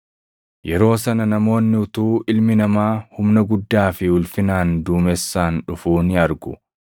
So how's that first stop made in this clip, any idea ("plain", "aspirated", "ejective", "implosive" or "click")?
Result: plain